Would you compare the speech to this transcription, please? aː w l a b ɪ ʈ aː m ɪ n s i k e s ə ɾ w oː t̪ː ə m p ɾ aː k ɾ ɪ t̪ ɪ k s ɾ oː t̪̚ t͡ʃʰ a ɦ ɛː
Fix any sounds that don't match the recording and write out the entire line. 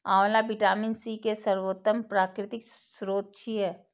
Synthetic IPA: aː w l a b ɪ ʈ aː m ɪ n s i k e s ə ɾ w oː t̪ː ə m p ɾ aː k ɾ ɪ t̪ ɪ k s ɾ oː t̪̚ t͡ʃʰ i ɦ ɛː

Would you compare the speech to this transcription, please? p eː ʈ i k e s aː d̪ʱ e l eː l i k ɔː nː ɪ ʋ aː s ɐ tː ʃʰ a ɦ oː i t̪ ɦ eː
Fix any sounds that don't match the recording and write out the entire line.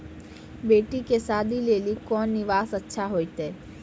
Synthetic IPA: b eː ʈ i k e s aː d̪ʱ i l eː l i k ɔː nː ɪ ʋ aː s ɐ tː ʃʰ a ɦ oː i t̪ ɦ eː

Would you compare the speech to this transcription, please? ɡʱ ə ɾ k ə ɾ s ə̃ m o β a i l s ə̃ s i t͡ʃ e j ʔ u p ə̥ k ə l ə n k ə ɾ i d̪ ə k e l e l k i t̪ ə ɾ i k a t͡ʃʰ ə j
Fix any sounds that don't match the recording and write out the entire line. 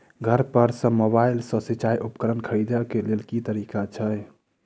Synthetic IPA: ɡʱ ə ɾ p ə ɾ s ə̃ m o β a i l s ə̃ s i t͡ʃ a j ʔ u p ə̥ k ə ɾ ə n kʰ ə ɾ i d̪ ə k e l e l k i t̪ ə ɾ i k a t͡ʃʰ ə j

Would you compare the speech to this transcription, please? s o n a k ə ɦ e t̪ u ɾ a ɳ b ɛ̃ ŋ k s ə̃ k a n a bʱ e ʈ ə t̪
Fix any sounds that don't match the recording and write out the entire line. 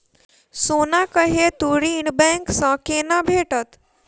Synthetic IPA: s o n a k ə ɦ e t̪ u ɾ i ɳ b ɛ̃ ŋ k s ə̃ k e n a bʱ e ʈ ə t̪

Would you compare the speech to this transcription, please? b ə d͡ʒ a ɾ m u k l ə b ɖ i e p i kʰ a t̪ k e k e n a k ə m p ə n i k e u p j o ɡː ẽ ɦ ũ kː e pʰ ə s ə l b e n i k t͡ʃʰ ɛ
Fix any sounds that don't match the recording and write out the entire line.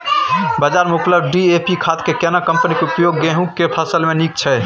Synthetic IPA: b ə d͡ʒ a ɾ m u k l ə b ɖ i e p i kʰ a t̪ k e k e n a k ə m p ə n i k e u p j o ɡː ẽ ɦ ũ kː e pʰ ə s ə l m e n i k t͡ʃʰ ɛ

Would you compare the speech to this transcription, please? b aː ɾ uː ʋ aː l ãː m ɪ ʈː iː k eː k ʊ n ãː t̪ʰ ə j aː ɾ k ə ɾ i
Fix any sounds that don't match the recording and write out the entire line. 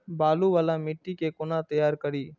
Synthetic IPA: b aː l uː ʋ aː l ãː m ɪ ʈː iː k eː k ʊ n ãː t̪ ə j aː ɾ k ə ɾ iː

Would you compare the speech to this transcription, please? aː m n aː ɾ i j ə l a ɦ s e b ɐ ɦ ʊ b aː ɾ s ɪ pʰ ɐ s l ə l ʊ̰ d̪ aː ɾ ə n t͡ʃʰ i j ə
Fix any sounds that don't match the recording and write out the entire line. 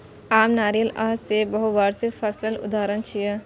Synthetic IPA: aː m n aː ɾ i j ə l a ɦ s e b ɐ ɦ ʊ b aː ɾ s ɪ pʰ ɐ s l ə l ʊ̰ d̪ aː ɾ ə n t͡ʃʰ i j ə

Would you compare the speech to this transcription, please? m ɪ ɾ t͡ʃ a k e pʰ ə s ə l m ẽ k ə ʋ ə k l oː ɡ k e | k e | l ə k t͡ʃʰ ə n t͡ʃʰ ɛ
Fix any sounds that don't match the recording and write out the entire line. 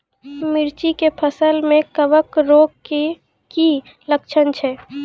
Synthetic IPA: m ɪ ɾ t͡ʃ i k e pʰ ə s ə l m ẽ k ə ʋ ə k ɾ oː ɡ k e | k i | l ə k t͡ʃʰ ə n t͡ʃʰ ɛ

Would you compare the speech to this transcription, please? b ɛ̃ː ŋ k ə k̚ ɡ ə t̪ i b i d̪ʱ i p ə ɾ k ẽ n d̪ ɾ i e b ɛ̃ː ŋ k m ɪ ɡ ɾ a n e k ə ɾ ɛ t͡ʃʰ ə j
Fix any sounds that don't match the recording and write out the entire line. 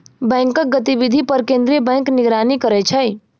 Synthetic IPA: b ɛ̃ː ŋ k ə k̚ ɡ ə t̪ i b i d̪ʱ i p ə ɾ k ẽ n d̪ ɾ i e b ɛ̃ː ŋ k n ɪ ɡ ɾ a n i k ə ɾ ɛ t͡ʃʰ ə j

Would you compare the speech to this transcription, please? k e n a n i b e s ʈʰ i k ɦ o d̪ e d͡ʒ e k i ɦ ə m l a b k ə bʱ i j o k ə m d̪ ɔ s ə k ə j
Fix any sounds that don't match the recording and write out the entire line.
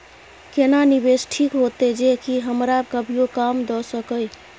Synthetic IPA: k e n a n i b e s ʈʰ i k ɦ o t̪ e d͡ʒ e k i ɦ ə m ɾ a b k ə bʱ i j o k a m d̪ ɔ s ə k ə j

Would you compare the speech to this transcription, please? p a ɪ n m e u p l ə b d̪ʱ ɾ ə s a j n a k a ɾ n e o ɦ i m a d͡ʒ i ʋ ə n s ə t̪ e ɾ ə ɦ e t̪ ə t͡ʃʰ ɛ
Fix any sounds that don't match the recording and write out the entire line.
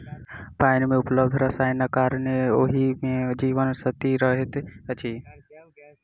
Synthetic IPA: p a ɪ n m e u p l ə b d̪ʱ ɾ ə s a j n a k a ɾ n e o ɦ i m e d͡ʒ i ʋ ə n s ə t̪ i ɾ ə ɦ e t̪ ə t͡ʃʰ i

